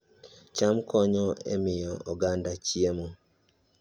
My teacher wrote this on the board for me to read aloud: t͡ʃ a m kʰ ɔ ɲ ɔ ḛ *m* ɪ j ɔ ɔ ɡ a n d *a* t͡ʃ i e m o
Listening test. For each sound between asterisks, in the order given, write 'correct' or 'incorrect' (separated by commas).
correct, correct